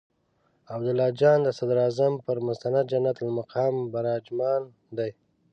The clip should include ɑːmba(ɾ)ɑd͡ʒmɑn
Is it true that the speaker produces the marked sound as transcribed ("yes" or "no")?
yes